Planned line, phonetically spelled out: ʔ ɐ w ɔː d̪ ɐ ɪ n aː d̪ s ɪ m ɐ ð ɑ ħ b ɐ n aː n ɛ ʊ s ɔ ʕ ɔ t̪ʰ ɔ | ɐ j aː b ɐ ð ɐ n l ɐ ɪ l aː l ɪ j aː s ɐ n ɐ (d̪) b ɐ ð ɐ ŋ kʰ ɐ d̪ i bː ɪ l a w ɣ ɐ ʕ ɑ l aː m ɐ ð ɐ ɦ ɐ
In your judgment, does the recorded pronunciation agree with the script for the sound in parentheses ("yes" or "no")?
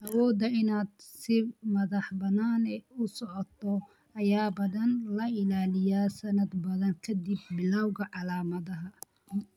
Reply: yes